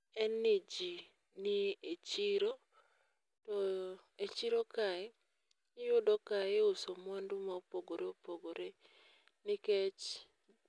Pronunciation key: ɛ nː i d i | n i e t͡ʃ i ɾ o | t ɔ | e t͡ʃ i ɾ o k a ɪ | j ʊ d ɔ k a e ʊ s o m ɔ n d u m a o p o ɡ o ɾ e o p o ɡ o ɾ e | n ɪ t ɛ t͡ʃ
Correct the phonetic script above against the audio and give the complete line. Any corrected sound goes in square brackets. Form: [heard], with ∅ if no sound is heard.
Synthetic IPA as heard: ɛ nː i [d͡ʒ] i | n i e t͡ʃ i ɾ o | t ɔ | e t͡ʃ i ɾ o k a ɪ | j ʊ d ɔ k a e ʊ s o m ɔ n d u m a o p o ɡ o ɾ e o p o ɡ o ɾ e | n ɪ [k] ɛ t͡ʃ